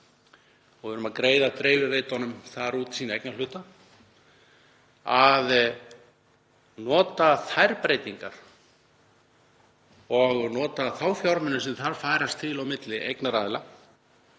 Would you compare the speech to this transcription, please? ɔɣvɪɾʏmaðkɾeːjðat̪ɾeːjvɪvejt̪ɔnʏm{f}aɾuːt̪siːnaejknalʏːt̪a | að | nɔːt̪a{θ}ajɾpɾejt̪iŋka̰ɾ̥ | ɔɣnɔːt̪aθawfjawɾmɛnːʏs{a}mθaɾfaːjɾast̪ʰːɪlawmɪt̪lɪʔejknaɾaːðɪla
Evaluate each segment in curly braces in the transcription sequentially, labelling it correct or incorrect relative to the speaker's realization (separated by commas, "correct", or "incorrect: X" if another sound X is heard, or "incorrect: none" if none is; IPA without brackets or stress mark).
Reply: incorrect: θ, correct, incorrect: ɛ